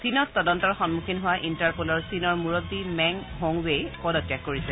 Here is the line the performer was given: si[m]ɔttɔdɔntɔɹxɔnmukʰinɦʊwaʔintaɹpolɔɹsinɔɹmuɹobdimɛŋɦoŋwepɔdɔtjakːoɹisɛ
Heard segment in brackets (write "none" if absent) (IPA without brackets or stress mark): n